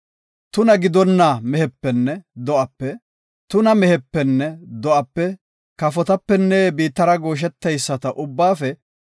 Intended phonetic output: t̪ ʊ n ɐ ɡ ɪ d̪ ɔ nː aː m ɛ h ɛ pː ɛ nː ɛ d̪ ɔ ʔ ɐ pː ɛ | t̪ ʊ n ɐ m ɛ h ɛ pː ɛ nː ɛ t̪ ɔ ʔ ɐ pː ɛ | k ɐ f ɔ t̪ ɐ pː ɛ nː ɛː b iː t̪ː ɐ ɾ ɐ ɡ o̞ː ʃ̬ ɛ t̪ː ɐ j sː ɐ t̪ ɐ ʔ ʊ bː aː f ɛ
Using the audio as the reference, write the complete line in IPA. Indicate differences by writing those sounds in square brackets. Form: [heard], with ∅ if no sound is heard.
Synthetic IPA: t̪ ʊ n ɐ ɡ ɪ d̪ ɔ nː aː m ɛ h ɛ pː ɛ nː ɛ d̪ ɔ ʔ ɐ pː ɛ | t̪ ʊ n ɐ m ɛ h ɛ pː ɛ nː ɛ [d̪] ɔ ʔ ɐ pː ɛ | k ɐ f ɔ t̪ ɐ pː ɛ nː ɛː b iː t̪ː ɐ ɾ ɐ ɡ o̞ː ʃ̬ ɛ t̪ː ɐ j sː ɐ t̪ ɐ ʔ ʊ bː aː f ɛ